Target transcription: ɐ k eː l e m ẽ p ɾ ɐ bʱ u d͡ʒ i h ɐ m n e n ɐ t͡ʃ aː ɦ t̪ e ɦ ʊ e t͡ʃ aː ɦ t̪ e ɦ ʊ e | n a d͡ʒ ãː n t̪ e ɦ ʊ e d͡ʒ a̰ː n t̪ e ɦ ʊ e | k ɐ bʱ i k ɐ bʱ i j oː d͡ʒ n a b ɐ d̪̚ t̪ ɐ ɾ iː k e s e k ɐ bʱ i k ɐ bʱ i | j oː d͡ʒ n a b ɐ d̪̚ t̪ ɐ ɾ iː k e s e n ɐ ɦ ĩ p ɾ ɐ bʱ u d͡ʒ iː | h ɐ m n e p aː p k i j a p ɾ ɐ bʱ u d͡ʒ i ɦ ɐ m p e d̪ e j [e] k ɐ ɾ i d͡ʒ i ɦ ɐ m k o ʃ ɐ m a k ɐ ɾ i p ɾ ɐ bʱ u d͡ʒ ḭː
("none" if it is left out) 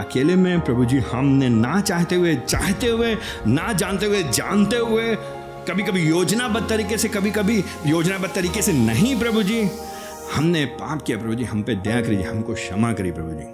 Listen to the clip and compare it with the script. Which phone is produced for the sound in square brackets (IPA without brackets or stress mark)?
a